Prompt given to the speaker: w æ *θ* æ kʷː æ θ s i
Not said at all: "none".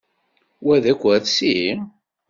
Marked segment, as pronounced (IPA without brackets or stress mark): ð